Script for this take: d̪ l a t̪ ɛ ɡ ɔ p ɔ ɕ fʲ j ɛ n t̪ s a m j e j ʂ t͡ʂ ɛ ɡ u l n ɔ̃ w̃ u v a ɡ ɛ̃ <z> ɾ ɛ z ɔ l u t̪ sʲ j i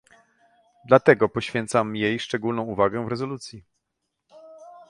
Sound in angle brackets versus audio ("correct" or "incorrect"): incorrect